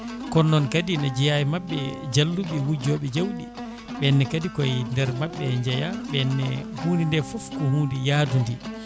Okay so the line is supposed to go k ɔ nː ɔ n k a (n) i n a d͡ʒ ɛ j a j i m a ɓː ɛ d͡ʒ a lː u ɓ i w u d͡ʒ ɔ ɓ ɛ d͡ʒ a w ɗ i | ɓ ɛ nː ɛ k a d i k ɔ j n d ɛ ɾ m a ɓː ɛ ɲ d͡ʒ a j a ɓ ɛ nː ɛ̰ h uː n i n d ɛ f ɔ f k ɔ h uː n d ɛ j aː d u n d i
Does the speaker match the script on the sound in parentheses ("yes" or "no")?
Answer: no